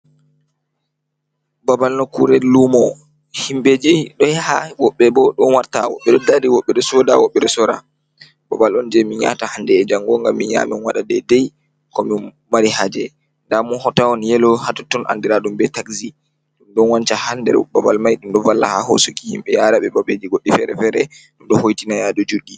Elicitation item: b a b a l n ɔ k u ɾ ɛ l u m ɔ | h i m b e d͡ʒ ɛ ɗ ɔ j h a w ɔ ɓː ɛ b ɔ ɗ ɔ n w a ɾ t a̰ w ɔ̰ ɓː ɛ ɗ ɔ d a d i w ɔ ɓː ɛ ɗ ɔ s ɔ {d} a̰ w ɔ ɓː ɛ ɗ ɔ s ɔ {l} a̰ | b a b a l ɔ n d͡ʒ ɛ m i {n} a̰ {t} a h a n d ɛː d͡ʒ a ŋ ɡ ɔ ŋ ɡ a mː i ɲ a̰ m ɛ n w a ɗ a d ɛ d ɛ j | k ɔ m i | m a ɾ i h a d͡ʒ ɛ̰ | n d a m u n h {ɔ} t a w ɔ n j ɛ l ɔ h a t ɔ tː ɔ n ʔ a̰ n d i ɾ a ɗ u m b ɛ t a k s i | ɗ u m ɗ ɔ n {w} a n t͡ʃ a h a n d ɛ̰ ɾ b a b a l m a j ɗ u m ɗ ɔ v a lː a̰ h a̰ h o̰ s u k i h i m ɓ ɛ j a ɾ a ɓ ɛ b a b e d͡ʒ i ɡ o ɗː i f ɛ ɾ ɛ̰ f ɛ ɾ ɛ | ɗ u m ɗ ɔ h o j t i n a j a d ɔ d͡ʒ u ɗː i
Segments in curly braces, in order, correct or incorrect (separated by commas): correct, incorrect, incorrect, correct, correct, correct